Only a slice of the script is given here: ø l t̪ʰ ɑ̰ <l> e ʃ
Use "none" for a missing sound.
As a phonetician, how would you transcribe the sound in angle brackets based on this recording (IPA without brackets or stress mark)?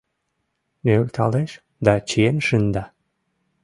l